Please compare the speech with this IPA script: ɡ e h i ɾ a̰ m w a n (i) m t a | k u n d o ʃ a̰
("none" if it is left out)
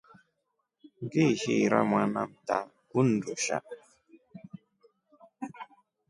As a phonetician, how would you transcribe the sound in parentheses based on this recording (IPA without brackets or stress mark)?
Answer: a